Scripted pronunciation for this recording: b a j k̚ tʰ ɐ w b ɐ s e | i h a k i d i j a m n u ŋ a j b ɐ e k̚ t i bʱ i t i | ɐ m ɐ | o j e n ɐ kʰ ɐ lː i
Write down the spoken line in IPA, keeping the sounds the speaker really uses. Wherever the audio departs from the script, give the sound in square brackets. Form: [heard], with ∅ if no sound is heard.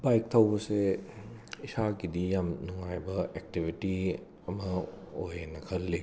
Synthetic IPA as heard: b a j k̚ tʰ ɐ w b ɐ s e | i [s] a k i d i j a m n u ŋ a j b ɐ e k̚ t i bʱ i t i | ɐ m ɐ | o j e n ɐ kʰ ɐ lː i